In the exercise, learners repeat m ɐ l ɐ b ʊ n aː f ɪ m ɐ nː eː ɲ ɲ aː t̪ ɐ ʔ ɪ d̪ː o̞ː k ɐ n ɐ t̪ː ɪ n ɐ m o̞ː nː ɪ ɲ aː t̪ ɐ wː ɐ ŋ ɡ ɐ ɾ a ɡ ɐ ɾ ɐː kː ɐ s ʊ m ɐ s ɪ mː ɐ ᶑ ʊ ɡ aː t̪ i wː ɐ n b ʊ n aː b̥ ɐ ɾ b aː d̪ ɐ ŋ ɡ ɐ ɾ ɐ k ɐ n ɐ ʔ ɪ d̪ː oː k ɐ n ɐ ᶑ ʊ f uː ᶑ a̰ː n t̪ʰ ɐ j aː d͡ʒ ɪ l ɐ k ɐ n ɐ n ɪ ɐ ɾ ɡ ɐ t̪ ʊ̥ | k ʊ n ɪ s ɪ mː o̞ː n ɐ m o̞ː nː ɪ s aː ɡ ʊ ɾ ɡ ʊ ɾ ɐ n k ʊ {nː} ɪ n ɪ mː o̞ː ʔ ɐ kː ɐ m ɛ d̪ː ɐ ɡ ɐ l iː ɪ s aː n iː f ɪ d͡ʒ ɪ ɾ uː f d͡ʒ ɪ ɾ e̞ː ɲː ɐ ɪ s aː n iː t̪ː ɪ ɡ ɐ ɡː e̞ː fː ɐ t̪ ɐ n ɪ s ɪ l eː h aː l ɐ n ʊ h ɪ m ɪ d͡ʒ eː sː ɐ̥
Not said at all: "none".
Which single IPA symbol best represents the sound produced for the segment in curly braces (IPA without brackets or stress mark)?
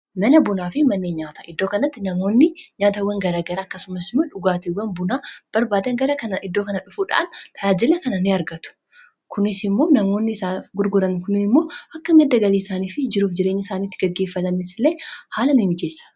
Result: n